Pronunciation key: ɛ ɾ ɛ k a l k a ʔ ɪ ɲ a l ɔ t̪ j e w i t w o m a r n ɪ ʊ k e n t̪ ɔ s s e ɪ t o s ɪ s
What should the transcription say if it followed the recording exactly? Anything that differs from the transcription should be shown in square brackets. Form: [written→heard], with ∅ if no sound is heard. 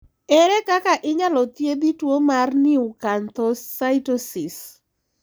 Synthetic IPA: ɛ ɾ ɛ k a [l→∅] k a ʔ ɪ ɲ a l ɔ t̪ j e [w→b] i t w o m a r n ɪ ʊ k [e→a] n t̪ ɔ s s [e→a] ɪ t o s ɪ s

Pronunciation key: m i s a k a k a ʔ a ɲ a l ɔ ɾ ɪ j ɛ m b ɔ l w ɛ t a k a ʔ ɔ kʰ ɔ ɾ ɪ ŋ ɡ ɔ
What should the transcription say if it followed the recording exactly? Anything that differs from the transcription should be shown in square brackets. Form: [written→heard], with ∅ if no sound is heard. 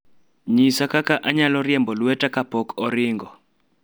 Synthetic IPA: [m→ɲ] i s a k a k a ʔ a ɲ a l ɔ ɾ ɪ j ɛ m b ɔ l w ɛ t a k a [ʔ→p] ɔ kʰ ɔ ɾ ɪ ŋ ɡ ɔ

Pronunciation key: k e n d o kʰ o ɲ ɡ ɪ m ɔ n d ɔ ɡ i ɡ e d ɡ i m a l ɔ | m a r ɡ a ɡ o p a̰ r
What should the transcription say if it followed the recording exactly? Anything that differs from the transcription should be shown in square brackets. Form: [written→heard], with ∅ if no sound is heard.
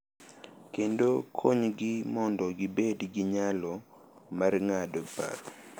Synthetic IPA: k e n d o kʰ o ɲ ɡ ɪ m ɔ n d ɔ ɡ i [ɡ→b] e d ɡ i [m→ɲ] a l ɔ | m a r [ɡ→ŋ] a [ɡ→d] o p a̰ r

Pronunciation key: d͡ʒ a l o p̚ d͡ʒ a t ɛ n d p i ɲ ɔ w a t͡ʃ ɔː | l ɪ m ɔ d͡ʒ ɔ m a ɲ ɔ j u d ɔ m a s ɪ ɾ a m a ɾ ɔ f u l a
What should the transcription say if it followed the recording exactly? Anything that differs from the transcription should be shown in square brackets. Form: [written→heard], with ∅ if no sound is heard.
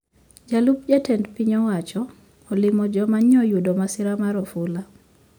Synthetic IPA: d͡ʒ a l [o→u] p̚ d͡ʒ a t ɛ n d p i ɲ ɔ w a t͡ʃ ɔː | l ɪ m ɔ d͡ʒ ɔ m a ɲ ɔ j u d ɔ m a s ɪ ɾ a m a ɾ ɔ f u l a

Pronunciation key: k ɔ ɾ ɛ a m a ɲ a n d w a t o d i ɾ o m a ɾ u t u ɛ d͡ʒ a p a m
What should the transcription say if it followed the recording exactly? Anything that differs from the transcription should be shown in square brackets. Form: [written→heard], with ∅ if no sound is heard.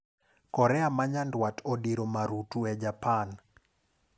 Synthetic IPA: k ɔ ɾ ɛ a m a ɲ a n d w a t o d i ɾ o m a ɾ u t u ɛ d͡ʒ a p a [m→n]

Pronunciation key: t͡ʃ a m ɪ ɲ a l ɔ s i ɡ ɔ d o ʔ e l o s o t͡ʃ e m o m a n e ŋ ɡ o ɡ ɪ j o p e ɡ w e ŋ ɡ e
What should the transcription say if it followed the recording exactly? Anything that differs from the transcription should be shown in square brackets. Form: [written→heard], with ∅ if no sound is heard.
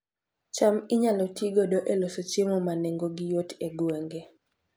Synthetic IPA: t͡ʃ a m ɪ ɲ a l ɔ [s→t] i ɡ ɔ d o ʔ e l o s o t͡ʃ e m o m a n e ŋ ɡ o ɡ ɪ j o [p→t] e ɡ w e ŋ ɡ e

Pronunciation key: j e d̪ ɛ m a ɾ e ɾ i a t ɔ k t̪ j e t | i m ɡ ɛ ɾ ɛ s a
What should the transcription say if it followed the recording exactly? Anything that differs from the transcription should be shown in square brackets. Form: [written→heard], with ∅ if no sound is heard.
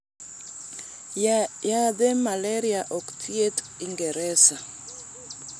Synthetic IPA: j [e→a] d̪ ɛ m a [ɾ→l] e ɾ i a [t→ʔ] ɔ k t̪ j e t | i [m→ŋ] ɡ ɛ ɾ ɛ s a

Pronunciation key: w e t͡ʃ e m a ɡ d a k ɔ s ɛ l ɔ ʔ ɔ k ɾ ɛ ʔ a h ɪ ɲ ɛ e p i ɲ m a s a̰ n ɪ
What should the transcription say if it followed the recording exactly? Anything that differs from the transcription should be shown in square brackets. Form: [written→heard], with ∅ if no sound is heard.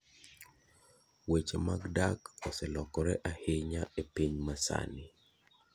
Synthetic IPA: w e t͡ʃ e m a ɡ d a k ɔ s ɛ l ɔ [ʔ→k] ɔ [k→∅] ɾ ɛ ʔ a h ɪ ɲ [ɛ→a] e p i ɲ m a s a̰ n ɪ

